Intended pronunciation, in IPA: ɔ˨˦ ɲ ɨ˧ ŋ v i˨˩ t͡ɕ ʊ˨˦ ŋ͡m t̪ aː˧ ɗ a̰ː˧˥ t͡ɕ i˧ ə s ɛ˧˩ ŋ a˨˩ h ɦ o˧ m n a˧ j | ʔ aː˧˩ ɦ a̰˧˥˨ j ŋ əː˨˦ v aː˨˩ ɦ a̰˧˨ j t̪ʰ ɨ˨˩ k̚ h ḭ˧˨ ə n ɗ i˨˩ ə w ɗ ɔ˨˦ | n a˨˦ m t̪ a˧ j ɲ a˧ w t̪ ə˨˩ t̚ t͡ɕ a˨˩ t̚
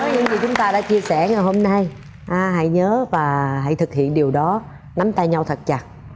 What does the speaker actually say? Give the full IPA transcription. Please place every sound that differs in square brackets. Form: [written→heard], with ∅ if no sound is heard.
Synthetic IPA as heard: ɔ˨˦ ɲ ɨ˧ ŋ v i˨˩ t͡ɕ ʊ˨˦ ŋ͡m t̪ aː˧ ɗ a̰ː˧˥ t͡ɕ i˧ ə s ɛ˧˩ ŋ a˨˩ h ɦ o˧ m n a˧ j | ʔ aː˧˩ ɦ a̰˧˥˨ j [ŋ→ɲ] əː˨˦ v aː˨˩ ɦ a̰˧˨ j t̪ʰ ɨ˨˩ k̚ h ḭ˧˨ ə n ɗ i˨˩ ə w ɗ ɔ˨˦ | n a˨˦ m t̪ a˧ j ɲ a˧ w [t̪→t̪ʰ] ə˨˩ t̚ t͡ɕ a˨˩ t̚